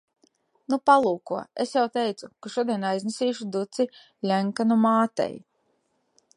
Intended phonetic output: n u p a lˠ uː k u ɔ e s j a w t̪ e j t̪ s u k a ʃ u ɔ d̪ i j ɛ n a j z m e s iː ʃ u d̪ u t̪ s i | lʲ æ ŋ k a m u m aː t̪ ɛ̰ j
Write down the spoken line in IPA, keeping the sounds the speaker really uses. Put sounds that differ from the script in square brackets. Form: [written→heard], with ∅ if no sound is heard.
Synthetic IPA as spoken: n u p a lˠ uː k u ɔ e s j a w t̪ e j t̪ s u k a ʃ u ɔ d̪ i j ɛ n a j z [m→n] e s iː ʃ u d̪ u t̪ s i | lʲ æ ŋ k a [m→n] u m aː t̪ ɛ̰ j